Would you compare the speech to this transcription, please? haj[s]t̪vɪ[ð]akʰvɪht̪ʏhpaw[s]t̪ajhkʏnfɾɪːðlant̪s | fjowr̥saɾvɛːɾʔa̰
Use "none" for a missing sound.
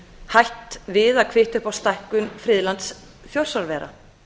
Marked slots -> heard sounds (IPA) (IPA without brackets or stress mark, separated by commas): h, ð, s